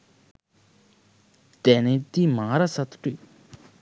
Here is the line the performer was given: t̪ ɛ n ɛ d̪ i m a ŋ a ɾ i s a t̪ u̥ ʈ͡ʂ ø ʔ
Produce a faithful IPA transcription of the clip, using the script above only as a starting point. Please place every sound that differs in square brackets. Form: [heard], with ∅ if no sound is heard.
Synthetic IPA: t̪ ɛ n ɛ [t̪] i m a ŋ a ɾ [a] s a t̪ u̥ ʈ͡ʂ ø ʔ